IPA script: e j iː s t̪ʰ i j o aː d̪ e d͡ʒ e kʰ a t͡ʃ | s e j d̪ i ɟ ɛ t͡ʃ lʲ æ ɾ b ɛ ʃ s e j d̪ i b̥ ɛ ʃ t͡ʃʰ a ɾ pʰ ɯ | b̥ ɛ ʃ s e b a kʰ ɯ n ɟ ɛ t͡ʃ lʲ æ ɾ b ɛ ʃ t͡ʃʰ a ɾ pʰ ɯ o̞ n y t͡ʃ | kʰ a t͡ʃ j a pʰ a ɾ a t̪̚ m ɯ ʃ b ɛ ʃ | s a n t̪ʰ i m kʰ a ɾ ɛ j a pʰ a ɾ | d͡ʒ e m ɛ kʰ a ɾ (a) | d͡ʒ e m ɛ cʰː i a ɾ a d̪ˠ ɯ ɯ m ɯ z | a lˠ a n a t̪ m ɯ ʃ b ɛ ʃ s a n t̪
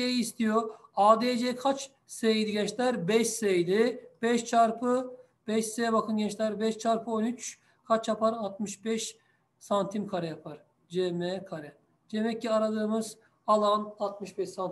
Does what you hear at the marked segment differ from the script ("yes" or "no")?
yes